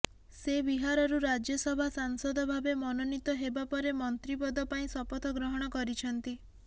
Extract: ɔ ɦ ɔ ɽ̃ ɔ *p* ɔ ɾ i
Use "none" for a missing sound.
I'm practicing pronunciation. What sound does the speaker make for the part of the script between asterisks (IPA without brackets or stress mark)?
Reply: k